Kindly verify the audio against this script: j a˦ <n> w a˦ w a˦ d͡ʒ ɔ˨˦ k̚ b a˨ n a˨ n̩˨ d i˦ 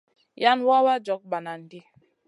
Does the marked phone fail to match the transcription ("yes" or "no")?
no